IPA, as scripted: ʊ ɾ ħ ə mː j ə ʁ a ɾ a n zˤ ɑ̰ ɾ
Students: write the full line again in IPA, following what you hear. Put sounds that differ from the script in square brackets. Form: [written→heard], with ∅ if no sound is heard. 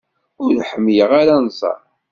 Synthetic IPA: ʊ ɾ ħ ə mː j ə ʁ a ɾ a n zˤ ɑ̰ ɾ